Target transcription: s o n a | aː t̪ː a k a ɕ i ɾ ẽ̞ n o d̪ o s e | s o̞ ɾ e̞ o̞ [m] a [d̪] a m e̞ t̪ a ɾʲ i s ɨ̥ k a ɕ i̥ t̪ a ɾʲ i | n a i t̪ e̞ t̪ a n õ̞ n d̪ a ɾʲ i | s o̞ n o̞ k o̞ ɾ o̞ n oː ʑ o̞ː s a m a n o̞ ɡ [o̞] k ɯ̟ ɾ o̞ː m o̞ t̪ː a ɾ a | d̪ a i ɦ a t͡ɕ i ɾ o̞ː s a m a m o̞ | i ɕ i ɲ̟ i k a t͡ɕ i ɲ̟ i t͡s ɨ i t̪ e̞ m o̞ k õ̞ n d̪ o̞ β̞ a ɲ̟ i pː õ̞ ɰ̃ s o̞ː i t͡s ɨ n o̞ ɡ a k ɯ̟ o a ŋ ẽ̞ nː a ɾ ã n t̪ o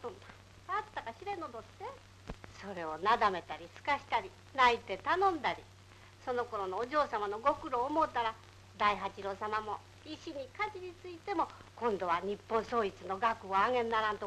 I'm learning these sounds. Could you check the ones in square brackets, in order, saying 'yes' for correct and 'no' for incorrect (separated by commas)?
no, yes, yes